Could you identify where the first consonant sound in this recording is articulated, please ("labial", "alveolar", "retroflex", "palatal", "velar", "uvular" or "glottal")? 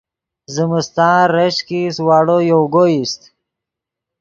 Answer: alveolar